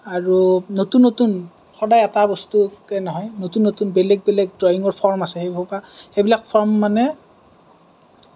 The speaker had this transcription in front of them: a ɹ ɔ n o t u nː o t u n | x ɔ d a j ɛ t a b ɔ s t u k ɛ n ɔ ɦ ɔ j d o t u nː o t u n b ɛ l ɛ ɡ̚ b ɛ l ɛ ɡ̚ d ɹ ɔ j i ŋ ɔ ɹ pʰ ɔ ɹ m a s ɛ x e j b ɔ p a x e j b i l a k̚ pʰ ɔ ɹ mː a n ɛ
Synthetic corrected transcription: a ɹ u n o t u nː o t u n | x ɔ d a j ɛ t a b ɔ s t u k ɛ n ɔ ɦ ɔ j n o t u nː o t u n b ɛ l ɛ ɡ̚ b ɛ l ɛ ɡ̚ d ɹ ɔ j i ŋ ɔ ɹ pʰ ɔ ɹ m a s ɛ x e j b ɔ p a x e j b i l a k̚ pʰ ɔ ɹ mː a n ɛ